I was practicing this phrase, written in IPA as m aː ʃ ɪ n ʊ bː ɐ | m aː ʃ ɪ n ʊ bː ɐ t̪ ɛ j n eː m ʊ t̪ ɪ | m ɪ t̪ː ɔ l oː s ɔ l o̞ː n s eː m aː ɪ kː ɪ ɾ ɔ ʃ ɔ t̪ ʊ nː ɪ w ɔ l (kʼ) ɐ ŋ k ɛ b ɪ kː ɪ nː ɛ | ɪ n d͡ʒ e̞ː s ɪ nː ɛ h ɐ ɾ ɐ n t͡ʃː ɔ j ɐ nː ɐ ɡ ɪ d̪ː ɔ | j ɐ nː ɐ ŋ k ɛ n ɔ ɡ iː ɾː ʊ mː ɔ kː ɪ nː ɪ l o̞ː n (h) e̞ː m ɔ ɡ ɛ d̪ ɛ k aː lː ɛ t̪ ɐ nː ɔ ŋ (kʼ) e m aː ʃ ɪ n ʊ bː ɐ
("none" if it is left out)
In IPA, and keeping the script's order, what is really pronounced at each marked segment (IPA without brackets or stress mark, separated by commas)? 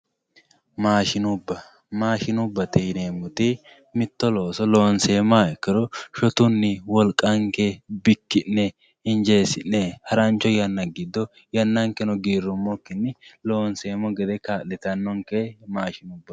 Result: kʼ, s, k